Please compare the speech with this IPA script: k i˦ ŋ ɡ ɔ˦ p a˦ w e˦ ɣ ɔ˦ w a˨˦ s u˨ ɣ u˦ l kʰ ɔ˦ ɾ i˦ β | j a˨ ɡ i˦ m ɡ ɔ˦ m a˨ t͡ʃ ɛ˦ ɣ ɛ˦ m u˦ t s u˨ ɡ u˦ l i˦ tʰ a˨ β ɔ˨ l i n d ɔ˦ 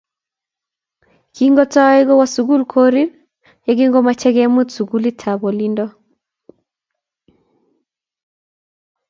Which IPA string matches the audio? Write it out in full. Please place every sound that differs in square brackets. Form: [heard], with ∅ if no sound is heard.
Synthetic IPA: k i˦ ŋ ɡ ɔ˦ [t] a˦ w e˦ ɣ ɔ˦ w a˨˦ s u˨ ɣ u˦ l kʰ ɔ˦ ɾ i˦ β | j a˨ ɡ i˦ [ŋ] ɡ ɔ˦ m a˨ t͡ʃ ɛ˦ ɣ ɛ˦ m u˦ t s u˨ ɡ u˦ l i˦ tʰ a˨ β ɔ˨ l i n d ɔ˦